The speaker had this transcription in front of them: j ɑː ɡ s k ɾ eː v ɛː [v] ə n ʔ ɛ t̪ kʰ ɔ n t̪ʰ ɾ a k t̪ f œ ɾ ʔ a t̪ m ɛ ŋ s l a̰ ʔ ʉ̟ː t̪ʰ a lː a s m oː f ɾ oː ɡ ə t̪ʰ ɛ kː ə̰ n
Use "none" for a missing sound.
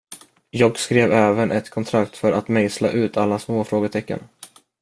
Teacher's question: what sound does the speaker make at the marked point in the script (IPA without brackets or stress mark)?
v